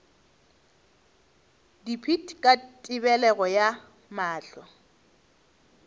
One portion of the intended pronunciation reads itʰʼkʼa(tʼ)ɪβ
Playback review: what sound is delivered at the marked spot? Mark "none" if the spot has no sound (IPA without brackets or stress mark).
tʼ